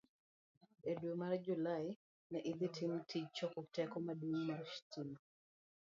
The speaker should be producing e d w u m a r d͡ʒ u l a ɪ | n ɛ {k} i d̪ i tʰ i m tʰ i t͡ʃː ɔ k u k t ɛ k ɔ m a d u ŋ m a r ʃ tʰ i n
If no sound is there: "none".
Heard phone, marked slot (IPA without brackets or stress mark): ʔ